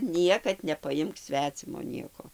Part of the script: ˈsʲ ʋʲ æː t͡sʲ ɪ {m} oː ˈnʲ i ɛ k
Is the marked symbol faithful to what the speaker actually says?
yes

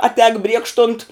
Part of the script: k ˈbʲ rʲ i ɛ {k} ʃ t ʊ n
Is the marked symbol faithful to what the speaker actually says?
yes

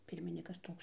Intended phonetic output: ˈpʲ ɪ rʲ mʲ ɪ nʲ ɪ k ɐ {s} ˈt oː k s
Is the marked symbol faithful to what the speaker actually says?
yes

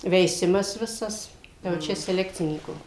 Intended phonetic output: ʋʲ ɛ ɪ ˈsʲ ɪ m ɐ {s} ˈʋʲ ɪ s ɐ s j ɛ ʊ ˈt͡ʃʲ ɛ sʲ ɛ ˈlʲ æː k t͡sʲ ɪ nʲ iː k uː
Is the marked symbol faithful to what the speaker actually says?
yes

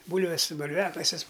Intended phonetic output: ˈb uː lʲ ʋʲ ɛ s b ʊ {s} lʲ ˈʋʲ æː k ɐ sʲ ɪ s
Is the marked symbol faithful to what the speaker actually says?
no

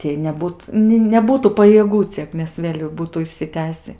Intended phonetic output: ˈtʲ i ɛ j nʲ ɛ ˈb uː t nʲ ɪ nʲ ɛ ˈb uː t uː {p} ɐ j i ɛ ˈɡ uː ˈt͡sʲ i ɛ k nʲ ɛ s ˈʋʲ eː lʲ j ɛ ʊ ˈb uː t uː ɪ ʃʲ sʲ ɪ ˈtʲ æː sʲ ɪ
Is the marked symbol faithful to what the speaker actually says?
yes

